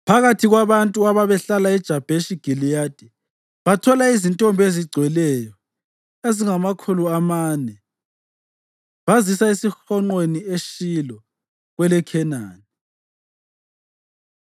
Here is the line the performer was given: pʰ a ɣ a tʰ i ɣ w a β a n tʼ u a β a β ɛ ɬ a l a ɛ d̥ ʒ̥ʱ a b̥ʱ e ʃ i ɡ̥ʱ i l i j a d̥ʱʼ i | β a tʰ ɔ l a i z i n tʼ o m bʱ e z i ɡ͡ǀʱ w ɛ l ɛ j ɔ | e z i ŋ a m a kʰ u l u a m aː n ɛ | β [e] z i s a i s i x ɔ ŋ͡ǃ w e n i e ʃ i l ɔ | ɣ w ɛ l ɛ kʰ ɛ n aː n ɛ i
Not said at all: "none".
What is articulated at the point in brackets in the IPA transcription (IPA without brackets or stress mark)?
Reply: a